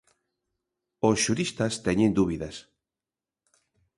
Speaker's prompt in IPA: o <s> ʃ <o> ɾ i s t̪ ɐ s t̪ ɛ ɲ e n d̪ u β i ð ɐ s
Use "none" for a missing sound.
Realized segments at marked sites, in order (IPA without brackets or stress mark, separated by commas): s, u